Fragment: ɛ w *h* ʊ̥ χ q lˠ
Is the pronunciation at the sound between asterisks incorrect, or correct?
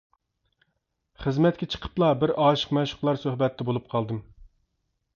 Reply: incorrect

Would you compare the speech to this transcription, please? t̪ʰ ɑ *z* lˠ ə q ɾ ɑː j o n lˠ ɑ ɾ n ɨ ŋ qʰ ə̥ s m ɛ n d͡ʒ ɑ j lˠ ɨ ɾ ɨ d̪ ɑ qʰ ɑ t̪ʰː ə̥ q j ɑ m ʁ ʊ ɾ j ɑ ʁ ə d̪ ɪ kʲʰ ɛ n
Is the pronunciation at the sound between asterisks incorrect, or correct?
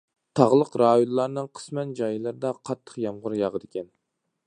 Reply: incorrect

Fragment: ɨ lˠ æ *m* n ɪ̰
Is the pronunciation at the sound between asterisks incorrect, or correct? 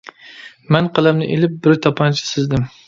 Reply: correct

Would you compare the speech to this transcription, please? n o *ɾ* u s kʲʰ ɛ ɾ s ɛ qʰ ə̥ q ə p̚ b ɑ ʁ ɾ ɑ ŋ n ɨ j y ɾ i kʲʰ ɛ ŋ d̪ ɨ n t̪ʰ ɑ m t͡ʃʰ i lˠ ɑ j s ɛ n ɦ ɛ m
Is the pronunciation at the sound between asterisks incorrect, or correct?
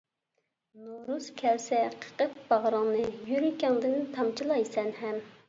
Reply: correct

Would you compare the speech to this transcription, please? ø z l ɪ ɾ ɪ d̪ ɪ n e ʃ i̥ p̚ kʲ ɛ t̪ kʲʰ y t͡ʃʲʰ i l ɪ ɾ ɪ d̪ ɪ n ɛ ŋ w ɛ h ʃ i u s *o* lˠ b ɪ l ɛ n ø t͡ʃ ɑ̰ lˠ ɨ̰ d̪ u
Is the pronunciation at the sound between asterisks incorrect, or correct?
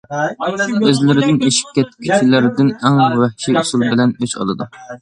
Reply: incorrect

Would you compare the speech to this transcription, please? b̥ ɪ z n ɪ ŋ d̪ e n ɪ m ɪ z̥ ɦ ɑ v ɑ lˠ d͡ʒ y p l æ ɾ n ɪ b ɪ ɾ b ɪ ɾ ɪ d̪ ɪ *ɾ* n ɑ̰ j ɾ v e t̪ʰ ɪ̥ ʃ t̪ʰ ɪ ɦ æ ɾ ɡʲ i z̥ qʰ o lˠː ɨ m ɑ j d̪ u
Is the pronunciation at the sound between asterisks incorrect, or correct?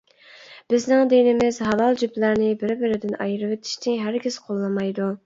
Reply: incorrect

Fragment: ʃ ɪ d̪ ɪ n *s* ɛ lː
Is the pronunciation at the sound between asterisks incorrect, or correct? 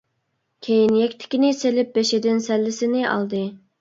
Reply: correct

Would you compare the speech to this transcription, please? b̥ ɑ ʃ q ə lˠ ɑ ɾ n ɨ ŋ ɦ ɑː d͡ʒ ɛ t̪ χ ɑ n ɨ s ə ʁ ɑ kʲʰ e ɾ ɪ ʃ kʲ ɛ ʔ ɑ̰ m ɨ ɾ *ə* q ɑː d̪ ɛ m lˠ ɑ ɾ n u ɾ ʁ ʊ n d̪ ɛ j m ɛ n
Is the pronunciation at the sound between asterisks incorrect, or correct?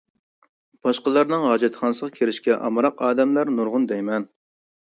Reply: incorrect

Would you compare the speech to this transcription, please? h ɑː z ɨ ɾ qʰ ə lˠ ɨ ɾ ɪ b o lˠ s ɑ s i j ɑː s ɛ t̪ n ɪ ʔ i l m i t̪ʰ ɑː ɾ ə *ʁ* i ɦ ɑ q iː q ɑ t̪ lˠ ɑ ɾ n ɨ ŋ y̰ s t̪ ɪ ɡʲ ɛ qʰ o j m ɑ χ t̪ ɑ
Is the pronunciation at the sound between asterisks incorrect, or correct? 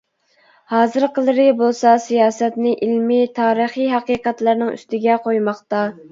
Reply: incorrect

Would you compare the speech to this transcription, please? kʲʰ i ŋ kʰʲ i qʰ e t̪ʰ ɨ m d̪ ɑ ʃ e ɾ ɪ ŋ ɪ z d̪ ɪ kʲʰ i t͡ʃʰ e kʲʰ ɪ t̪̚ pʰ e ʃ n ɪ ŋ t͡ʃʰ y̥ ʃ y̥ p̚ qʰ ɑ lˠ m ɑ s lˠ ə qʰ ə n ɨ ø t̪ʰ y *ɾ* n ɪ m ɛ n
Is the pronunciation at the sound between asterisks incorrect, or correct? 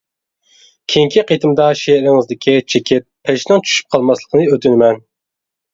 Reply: incorrect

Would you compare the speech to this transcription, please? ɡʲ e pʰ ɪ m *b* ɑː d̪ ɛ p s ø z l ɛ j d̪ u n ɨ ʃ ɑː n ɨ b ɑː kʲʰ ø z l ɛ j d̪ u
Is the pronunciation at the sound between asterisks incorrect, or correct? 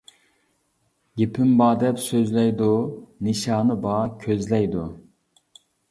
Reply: correct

